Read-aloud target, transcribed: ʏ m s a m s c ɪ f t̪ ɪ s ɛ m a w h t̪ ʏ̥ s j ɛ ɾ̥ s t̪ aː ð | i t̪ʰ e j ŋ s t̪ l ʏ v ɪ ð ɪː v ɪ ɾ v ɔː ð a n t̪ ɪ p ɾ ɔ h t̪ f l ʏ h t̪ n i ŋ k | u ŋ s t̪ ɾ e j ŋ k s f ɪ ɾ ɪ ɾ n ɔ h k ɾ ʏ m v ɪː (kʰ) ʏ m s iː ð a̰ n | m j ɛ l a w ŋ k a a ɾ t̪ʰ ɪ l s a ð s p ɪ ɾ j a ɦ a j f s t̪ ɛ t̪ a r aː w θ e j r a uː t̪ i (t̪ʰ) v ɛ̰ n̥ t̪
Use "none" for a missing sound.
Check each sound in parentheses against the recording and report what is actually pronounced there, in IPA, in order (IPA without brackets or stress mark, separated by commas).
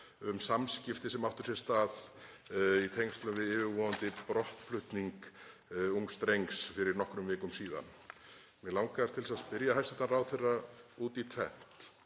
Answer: k, t̪ʰ